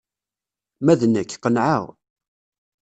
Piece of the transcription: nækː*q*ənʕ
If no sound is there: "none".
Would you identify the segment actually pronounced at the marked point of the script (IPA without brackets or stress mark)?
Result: q